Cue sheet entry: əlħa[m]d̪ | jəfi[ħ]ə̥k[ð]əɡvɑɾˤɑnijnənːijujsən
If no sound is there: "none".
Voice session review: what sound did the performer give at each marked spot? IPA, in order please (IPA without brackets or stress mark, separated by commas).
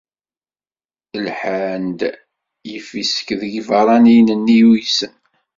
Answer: n, s, ð